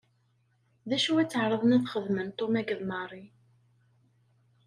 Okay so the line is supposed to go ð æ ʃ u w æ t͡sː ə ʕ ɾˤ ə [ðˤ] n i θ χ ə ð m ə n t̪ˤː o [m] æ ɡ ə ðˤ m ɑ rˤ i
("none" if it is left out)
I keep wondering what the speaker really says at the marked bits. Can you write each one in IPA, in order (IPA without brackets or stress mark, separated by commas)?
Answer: ðˤ, m